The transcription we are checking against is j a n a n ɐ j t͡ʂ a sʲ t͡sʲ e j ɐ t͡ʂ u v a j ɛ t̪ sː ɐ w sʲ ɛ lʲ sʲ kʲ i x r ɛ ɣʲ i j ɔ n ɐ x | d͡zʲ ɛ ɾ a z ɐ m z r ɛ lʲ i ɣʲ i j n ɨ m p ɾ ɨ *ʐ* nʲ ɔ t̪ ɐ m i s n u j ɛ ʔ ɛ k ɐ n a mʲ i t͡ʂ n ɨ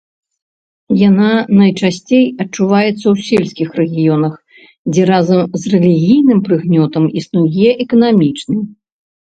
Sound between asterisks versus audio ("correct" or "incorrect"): incorrect